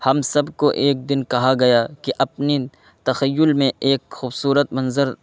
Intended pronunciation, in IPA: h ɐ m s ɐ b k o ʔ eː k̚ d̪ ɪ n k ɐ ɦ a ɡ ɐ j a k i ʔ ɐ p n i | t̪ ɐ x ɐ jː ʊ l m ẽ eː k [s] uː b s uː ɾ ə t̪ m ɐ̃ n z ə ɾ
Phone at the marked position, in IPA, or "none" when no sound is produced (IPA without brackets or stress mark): x